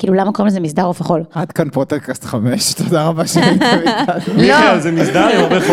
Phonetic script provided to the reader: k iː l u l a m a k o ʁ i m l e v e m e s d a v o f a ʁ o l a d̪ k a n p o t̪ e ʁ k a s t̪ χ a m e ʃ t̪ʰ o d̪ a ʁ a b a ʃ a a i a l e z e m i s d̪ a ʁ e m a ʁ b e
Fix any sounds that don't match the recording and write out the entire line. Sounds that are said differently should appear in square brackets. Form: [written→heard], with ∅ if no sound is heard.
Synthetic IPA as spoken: k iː l u l a m a k o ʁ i m l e [v→z] e m [e→i] s d a [v→ʁ] o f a [ʁ→χ] o l a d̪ k a n p o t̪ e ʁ k a s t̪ χ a m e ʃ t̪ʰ o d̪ a ʁ a b a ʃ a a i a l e z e m i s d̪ a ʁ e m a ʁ b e